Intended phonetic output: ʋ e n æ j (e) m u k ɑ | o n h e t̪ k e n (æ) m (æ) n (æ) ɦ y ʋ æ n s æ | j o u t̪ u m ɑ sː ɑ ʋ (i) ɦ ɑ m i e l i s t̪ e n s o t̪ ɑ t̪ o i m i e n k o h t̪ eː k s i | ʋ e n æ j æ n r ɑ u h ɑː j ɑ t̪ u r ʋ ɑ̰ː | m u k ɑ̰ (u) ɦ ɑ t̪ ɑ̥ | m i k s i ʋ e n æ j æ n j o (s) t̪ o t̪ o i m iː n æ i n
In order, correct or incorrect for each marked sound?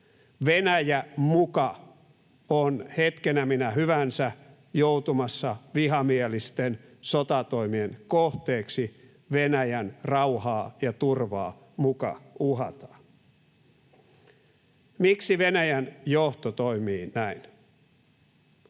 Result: incorrect: æ, correct, incorrect: i, correct, correct, correct, incorrect: h

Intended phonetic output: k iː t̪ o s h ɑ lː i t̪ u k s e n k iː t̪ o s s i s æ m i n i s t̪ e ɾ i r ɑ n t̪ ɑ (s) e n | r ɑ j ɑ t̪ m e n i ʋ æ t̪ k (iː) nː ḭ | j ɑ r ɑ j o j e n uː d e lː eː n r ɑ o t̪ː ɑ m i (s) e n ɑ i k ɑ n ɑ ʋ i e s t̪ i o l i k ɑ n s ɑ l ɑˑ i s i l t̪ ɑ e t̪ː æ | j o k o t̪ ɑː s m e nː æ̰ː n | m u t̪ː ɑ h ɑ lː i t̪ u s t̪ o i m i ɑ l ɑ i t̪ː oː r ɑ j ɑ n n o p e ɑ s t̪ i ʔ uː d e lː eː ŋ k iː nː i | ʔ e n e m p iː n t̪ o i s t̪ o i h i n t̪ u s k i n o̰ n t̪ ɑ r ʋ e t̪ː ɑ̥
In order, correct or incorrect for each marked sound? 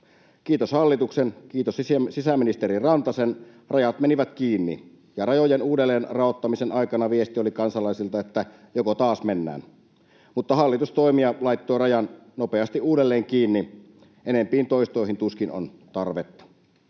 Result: correct, correct, correct

